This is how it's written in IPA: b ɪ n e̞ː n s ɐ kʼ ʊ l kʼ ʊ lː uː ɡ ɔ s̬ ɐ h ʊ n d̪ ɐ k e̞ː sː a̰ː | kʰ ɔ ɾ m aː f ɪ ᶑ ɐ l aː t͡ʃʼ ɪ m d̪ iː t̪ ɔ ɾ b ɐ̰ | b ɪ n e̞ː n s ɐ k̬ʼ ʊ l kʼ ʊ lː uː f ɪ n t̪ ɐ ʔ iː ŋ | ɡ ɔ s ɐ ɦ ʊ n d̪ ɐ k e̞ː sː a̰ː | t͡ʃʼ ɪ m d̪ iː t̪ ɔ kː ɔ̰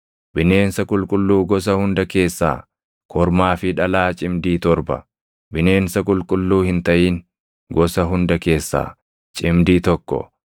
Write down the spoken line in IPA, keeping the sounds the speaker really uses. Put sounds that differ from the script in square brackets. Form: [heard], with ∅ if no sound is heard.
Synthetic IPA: b ɪ n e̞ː n s ɐ kʼ ʊ l kʼ ʊ lː uː ɡ ɔ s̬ ɐ h ʊ n d̪ ɐ k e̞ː sː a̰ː | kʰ ɔ ɾ m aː f ɪ ᶑ ɐ l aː t͡ʃʼ ɪ m d̪ iː t̪ ɔ ɾ b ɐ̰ | b ɪ n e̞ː n s ɐ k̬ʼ ʊ l kʼ ʊ lː uː [h] ɪ n t̪ ɐ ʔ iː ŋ | ɡ ɔ s ɐ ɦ ʊ n d̪ ɐ k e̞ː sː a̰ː | t͡ʃʼ ɪ m d̪ iː t̪ ɔ kː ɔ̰

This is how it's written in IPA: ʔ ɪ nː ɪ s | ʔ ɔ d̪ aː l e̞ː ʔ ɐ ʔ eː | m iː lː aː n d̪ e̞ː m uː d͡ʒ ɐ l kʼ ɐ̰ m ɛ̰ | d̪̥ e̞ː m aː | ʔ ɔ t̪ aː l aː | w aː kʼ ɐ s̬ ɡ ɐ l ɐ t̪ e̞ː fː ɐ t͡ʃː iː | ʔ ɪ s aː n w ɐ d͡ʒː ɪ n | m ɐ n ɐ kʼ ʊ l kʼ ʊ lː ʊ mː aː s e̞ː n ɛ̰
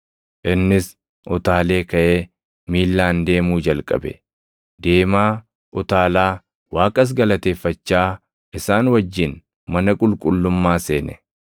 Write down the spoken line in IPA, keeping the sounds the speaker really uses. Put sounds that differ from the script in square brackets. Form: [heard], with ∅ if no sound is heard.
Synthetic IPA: ʔ ɪ nː ɪ s | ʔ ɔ [t̪] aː l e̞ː [k] ɐ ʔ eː | m iː lː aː n d̪ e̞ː m uː d͡ʒ ɐ l kʼ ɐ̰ [b] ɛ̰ | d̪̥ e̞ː m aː | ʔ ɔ t̪ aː l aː | w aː kʼ ɐ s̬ ɡ ɐ l ɐ t̪ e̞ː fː ɐ t͡ʃː [aː] | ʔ ɪ s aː n w ɐ d͡ʒː ɪ n | m ɐ n ɐ kʼ ʊ l kʼ ʊ lː ʊ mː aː s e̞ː n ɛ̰

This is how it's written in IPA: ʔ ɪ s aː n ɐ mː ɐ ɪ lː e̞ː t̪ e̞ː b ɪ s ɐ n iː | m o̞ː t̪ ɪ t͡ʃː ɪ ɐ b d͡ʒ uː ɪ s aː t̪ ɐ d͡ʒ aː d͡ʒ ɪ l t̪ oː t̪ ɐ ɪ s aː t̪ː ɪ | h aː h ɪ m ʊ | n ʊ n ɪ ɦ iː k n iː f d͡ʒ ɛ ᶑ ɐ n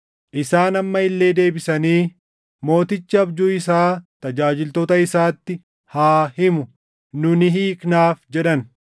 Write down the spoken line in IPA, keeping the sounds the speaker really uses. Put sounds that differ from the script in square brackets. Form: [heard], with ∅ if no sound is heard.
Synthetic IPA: ʔ ɪ s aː n ɐ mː ɐ ɪ lː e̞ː [d̪] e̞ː b ɪ s ɐ n iː | m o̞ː t̪ ɪ t͡ʃː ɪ ɐ b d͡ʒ uː ɪ s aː t̪ ɐ d͡ʒ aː d͡ʒ ɪ l t̪ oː t̪ ɐ ɪ s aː t̪ː ɪ | h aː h ɪ m ʊ | n ʊ n ɪ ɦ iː k n [aː] f d͡ʒ ɛ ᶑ ɐ n

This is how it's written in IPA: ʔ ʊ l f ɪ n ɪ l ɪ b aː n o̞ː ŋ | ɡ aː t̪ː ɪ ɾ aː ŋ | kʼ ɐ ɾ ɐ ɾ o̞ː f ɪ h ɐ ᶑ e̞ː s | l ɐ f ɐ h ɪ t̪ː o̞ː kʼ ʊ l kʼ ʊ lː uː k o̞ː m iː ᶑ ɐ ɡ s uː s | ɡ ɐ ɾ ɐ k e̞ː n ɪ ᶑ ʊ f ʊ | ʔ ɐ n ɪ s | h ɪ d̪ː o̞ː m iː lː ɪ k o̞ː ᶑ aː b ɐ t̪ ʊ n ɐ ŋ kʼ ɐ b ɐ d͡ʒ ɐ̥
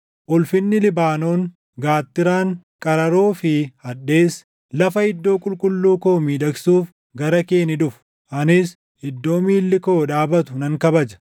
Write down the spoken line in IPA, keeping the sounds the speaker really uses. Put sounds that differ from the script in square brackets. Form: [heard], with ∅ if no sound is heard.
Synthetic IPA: ʔ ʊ l f ɪ [nː] ɪ l ɪ b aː n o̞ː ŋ | ɡ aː t̪ː ɪ ɾ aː ŋ | kʼ ɐ ɾ ɐ ɾ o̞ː f ɪ h ɐ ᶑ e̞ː s | l ɐ f ɐ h ɪ [d̪ː] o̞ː kʼ ʊ l kʼ ʊ lː uː k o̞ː m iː ᶑ ɐ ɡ s uː [f] | ɡ ɐ ɾ ɐ k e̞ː n ɪ ᶑ ʊ f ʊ | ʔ ɐ n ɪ s | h ɪ d̪ː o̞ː m iː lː ɪ k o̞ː ᶑ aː b ɐ t̪ ʊ n ɐ ŋ [k] ɐ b ɐ d͡ʒ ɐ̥

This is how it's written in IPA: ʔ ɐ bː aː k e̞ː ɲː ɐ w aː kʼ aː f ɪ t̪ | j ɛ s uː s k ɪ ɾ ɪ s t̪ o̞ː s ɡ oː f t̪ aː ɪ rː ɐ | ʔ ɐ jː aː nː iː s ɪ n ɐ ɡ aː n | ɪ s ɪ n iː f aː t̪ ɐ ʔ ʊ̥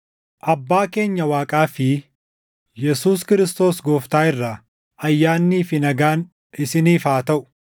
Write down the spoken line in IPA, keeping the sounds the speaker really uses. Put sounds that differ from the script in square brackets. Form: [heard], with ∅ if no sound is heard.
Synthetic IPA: ʔ ɐ bː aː k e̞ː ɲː ɐ w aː kʼ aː f ɪ [∅] | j ɛ s uː s k ɪ ɾ ɪ s t̪ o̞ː s ɡ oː f t̪ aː ɪ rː ɐ | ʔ ɐ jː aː nː iː [f] ɪ n ɐ ɡ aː n | ɪ s ɪ n iː f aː t̪ ɐ ʔ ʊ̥

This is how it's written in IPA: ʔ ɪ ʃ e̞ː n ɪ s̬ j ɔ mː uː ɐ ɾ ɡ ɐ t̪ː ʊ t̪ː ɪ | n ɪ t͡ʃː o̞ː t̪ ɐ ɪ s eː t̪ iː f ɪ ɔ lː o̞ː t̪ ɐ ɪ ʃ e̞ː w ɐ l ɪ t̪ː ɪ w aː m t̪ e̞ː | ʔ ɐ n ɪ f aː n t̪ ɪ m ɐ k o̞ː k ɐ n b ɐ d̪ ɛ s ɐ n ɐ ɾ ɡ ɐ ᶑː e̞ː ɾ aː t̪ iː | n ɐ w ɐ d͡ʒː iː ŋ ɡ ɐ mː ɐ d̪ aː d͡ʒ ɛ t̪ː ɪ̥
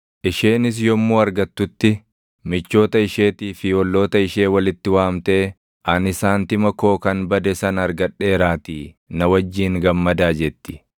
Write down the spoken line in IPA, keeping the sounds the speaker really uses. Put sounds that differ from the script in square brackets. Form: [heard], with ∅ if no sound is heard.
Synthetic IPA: ʔ ɪ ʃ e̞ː n ɪ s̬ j ɔ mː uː ɐ ɾ ɡ ɐ t̪ː ʊ t̪ː ɪ | [m] ɪ t͡ʃː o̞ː t̪ ɐ ɪ [ʃ] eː t̪ iː f ɪ ɔ lː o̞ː t̪ ɐ ɪ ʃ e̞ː w ɐ l ɪ t̪ː ɪ w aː m t̪ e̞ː | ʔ ɐ n ɪ [s] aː n t̪ ɪ m ɐ k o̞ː k ɐ n b ɐ d̪ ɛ s ɐ n ɐ ɾ ɡ ɐ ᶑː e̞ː ɾ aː t̪ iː | n ɐ w ɐ d͡ʒː iː ŋ ɡ ɐ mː ɐ d̪ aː d͡ʒ ɛ t̪ː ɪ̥

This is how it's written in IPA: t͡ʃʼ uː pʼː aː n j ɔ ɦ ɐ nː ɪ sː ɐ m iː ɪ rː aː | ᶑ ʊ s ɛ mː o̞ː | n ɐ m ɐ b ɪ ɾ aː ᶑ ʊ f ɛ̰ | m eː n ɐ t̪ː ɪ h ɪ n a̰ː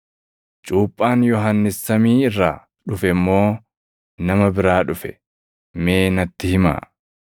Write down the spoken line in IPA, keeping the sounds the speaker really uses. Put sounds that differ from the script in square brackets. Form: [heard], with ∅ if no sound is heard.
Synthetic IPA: t͡ʃʼ uː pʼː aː n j ɔ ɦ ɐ nː ɪ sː ɐ m iː ɪ rː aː | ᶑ ʊ [f] ɛ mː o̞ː | n ɐ m ɐ b ɪ ɾ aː ᶑ ʊ f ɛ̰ | m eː n ɐ t̪ː ɪ h ɪ [m] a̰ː

